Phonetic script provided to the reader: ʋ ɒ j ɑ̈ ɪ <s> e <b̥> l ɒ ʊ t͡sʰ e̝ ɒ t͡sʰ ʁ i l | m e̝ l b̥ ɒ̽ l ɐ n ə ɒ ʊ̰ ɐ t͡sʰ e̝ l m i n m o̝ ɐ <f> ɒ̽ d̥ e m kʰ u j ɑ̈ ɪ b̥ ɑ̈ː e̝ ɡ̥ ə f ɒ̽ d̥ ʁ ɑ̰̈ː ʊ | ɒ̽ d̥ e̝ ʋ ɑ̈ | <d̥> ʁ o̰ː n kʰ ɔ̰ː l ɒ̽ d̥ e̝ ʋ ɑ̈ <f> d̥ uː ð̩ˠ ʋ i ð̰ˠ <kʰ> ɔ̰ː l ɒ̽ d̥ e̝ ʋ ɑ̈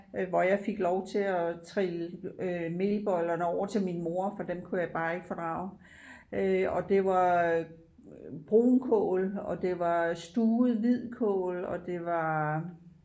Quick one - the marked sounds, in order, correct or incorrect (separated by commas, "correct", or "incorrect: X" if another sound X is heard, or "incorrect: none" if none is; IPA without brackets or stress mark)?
incorrect: f, incorrect: ɡ̥, correct, incorrect: b̥, incorrect: s, correct